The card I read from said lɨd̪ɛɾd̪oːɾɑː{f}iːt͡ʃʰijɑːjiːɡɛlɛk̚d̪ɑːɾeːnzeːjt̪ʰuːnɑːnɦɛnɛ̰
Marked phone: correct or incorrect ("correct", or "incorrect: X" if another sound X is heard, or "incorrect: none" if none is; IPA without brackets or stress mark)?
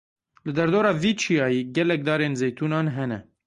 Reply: incorrect: v